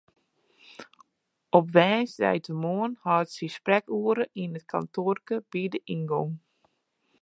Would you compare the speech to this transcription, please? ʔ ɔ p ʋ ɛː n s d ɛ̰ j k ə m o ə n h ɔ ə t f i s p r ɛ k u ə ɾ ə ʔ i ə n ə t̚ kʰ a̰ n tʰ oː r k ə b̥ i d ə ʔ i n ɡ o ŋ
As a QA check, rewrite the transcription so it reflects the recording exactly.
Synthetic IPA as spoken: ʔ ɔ p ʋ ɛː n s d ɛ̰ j t ə m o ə n h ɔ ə t s i s p r ɛ k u ə ɾ ə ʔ i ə n ə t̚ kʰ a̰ n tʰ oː r k ə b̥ i d ə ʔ i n ɡ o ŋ